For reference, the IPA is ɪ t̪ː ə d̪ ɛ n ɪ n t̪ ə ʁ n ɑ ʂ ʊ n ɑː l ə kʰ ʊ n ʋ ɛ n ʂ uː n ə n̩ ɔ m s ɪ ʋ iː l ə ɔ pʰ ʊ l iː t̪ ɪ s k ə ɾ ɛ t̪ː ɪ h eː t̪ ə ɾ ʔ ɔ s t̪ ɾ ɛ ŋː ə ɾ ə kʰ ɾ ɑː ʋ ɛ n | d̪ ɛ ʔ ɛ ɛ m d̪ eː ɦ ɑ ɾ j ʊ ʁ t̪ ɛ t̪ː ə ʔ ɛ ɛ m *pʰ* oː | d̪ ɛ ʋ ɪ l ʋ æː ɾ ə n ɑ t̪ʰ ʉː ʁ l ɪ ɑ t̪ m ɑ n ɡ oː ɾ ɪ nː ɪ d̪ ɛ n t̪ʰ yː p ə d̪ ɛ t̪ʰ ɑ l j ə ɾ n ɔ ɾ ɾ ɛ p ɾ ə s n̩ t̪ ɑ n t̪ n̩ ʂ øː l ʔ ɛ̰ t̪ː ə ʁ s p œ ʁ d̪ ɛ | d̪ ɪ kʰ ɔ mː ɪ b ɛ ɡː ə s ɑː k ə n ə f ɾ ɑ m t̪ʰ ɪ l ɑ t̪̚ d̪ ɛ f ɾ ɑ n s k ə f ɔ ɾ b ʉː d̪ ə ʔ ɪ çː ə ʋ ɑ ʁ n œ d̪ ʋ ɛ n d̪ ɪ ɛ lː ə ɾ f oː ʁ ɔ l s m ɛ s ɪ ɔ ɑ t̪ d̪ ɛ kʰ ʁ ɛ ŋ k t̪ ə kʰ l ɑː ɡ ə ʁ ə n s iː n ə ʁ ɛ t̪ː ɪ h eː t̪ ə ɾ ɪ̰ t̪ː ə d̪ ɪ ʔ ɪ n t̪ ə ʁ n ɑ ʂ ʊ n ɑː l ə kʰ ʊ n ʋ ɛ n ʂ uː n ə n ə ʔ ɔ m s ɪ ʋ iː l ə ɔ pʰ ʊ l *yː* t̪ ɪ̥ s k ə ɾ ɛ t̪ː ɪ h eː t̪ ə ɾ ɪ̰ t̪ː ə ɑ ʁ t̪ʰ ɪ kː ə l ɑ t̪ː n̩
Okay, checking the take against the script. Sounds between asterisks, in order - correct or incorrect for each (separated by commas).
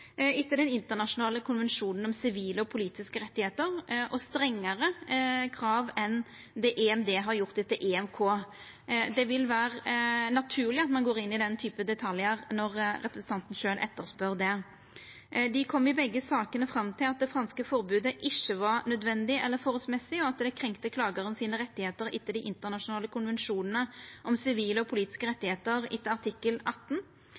incorrect, incorrect